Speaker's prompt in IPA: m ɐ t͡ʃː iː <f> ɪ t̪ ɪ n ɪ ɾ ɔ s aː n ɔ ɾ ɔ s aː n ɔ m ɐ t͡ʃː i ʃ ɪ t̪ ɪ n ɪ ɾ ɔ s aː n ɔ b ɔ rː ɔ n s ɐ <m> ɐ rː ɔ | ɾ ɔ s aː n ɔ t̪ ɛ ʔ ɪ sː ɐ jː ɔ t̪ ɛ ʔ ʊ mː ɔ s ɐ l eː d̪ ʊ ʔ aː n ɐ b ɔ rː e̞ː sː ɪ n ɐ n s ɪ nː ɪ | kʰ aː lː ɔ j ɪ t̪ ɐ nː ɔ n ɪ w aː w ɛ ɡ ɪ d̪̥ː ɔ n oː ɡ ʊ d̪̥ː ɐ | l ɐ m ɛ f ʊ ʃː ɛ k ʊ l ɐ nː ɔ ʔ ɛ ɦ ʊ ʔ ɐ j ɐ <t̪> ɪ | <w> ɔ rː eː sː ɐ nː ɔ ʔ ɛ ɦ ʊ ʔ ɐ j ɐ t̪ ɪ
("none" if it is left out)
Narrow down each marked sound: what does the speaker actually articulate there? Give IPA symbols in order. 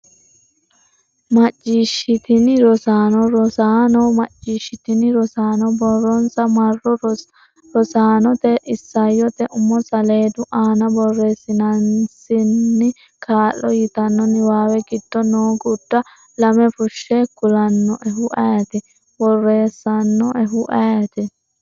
ʃ, m, t̪, b

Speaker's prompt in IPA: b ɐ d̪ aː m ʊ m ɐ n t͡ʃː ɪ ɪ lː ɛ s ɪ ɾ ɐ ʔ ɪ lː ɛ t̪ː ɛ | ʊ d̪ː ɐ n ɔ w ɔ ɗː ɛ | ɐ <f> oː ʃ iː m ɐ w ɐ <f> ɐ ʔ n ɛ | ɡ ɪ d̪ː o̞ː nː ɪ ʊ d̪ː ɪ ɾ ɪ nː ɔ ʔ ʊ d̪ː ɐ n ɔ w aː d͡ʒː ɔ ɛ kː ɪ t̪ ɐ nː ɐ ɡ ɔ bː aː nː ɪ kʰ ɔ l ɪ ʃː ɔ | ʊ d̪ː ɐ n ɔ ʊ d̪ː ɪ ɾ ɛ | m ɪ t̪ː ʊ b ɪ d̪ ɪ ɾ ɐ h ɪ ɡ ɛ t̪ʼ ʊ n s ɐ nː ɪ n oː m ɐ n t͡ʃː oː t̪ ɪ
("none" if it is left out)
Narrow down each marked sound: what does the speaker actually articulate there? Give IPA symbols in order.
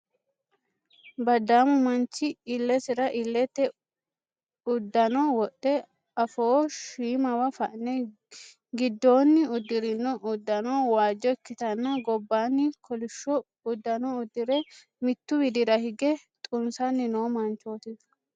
f, f

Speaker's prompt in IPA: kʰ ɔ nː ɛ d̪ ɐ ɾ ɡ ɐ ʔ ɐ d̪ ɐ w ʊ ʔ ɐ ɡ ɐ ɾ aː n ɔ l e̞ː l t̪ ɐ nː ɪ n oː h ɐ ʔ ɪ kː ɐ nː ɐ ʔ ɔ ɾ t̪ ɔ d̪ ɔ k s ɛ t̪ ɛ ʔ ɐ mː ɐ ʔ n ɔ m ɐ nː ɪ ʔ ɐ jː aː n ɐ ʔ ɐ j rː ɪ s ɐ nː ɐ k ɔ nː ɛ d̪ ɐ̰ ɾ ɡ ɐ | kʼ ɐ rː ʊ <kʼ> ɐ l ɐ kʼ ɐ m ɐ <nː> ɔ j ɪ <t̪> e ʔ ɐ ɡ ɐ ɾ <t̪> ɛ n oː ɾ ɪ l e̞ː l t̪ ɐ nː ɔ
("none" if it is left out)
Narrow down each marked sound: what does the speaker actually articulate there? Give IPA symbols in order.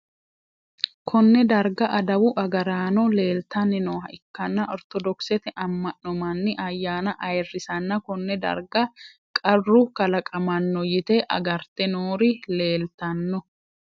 k, nː, t̪, t̪

